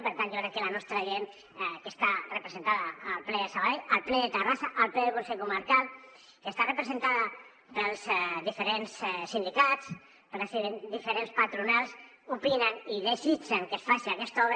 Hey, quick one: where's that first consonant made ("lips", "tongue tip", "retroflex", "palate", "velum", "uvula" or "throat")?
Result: lips